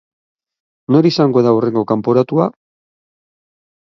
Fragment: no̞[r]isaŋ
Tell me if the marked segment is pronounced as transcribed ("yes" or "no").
no